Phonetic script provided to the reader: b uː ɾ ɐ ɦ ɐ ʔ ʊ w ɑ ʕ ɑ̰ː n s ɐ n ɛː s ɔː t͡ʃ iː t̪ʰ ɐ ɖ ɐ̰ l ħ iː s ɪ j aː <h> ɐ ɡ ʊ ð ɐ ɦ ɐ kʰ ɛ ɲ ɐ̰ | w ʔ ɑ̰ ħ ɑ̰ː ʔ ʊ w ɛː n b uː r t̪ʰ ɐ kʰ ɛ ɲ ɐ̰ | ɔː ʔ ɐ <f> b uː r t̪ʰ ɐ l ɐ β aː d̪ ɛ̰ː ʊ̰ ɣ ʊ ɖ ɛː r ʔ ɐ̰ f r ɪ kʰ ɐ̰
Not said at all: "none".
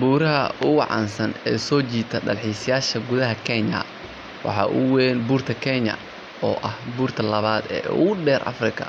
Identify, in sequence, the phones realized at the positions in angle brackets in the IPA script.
ʃ, h

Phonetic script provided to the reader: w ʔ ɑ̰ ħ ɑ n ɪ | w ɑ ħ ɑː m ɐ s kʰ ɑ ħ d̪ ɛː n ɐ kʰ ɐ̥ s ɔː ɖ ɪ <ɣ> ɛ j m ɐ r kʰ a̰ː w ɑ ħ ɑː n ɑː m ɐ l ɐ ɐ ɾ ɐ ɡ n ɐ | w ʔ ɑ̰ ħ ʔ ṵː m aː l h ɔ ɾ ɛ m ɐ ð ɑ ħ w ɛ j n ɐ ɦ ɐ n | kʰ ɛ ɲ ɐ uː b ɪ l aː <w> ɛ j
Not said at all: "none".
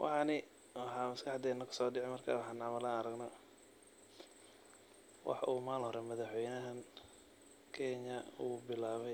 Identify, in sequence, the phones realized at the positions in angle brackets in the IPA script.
ʕ, β

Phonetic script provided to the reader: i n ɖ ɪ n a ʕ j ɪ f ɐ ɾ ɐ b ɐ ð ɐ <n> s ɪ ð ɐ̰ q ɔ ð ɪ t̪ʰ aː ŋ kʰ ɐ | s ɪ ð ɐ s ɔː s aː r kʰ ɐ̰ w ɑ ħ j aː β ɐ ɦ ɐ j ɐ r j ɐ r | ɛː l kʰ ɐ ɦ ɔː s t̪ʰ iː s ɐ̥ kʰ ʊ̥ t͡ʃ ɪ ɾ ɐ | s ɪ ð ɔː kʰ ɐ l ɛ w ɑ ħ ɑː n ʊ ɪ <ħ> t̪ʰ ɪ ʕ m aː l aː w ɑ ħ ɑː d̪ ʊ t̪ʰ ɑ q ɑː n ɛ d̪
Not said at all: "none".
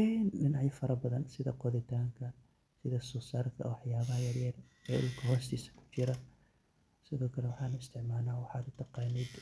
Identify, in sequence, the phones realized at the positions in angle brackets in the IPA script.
n, s

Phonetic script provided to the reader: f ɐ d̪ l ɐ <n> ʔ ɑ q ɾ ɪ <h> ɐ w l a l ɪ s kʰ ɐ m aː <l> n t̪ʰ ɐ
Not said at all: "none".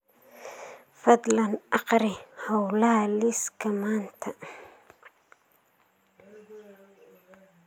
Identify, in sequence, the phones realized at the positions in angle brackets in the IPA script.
n, h, none

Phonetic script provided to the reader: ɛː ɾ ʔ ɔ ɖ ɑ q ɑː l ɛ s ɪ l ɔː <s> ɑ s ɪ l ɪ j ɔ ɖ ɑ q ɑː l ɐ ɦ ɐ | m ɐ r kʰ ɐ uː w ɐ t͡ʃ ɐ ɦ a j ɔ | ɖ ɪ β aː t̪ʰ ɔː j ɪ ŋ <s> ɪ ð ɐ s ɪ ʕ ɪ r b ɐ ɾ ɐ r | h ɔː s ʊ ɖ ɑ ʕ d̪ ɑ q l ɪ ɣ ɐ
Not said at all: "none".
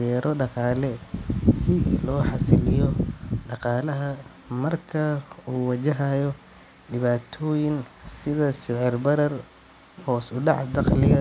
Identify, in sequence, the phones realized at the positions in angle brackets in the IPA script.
ħ, s

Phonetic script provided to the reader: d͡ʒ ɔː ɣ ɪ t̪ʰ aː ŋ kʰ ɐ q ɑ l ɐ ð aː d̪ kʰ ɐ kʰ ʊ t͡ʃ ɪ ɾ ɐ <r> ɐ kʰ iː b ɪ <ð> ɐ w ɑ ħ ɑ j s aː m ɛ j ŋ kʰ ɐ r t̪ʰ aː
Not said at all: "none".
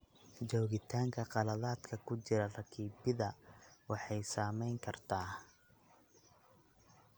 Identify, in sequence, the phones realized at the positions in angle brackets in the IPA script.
r, ð

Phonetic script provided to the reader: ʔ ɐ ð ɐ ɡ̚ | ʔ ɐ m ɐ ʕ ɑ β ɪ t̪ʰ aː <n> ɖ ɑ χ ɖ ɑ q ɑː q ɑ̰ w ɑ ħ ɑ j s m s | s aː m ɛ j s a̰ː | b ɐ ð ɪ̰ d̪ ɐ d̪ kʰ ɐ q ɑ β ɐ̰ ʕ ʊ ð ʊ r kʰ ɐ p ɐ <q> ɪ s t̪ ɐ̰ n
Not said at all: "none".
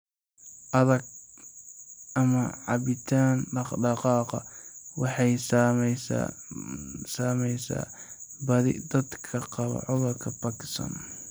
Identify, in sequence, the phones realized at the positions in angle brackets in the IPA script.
n, k

